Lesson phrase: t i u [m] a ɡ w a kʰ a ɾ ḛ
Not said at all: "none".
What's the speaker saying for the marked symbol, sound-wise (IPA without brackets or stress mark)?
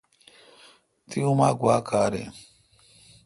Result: m